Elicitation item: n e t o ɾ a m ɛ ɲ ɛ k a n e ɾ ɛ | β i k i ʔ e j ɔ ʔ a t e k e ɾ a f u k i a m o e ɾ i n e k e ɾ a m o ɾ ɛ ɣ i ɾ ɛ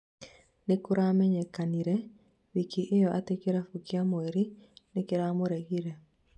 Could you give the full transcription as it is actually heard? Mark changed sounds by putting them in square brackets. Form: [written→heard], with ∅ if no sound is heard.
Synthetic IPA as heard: n e [t→k] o ɾ a m ɛ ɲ ɛ k a n [e→i] ɾ ɛ | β i k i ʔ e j ɔ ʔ a t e k e ɾ a f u k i a m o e ɾ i n e k e ɾ a m o ɾ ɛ ɣ i ɾ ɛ